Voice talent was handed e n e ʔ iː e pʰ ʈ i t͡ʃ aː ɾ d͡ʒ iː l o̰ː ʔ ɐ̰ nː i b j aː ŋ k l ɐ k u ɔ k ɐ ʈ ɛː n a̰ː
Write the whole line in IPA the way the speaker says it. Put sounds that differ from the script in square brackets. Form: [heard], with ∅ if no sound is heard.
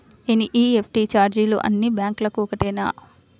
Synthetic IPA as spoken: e n [i] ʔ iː e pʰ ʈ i t͡ʃ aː ɾ d͡ʒ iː l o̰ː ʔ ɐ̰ nː i b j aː ŋ k l ɐ k u ɔ k ɐ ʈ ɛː n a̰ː